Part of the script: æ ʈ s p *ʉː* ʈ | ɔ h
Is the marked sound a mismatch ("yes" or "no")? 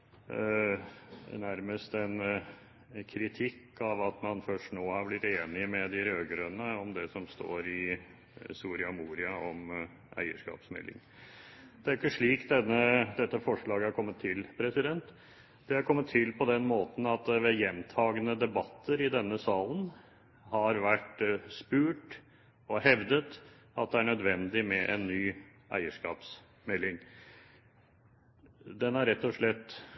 no